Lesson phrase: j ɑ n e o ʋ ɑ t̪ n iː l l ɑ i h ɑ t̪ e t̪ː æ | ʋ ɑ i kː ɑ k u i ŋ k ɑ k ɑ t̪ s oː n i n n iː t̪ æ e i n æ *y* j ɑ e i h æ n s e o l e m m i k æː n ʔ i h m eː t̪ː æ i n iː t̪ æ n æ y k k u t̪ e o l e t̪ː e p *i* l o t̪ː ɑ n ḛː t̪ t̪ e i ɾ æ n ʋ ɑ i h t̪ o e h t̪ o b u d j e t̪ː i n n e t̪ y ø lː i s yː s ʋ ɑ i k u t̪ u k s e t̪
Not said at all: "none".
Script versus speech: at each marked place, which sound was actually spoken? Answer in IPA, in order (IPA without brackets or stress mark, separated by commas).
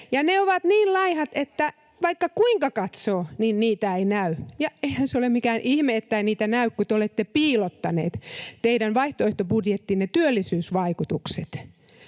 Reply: y, iː